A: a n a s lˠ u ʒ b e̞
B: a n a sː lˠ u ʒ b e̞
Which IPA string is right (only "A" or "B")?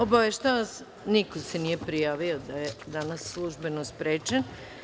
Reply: B